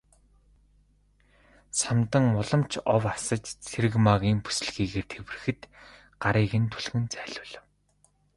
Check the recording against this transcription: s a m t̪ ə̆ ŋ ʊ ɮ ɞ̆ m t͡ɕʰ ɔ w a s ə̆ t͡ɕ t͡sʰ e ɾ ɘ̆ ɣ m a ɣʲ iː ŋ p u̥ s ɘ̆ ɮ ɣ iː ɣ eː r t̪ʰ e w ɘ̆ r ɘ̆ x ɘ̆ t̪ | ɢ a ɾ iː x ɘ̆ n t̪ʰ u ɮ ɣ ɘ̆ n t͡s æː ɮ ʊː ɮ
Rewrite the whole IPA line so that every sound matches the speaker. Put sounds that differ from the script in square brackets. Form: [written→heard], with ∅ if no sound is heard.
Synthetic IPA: s a m t̪ ə̆ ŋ ʊ ɮ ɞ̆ m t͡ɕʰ ɔ w a s ə̆ t͡ɕ t͡sʰ e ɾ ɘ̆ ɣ m a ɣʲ iː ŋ p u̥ s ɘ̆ ɮ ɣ iː ɣ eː r t̪ʰ e w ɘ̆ r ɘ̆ x ɘ̆ t̪ | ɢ a ɾ iː [x→ɣ] ɘ̆ n t̪ʰ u ɮ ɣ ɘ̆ n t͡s æː ɮ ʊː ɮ